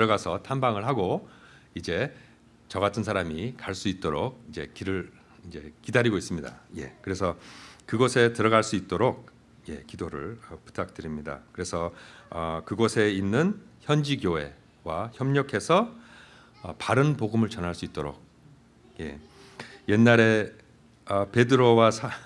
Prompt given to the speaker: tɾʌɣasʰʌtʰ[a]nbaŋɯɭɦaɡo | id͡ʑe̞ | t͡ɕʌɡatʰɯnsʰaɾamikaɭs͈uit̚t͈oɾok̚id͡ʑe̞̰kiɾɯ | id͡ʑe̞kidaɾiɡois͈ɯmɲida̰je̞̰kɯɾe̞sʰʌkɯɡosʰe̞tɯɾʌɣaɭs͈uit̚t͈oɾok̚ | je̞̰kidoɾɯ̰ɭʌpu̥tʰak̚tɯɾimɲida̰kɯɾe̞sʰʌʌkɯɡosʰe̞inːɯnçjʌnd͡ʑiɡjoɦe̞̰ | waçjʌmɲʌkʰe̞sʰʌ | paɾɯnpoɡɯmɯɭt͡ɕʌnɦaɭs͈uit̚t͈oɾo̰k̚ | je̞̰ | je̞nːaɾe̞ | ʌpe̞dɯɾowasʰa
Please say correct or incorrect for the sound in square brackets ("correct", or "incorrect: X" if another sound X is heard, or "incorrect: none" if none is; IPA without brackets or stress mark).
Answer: correct